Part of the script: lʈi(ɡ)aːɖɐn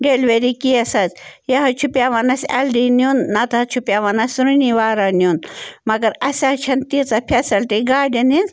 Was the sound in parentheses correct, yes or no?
yes